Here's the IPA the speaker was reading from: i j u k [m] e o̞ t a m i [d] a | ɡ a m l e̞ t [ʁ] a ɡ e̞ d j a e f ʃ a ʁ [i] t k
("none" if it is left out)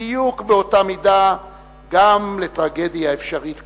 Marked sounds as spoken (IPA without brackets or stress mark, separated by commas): b, d, ʁ, i